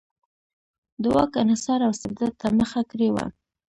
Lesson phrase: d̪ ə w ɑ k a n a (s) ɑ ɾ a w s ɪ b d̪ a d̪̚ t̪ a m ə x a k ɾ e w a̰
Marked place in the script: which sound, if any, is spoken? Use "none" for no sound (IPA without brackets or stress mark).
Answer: s